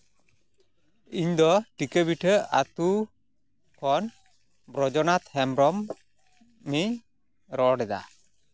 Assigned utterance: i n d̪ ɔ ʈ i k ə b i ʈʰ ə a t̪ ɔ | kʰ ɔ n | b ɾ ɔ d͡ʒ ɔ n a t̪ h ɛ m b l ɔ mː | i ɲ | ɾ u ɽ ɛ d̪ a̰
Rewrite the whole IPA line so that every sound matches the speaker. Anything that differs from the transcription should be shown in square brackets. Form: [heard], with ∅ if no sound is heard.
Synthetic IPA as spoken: i [ɲ] d̪ ɔ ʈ i k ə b i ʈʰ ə a t̪ [u] | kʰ ɔ n | b ɾ ɔ d͡ʒ ɔ n a t̪ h ɛ m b [ɾ] ɔ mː | i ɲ | ɾ [ɔ] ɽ ɛ d̪ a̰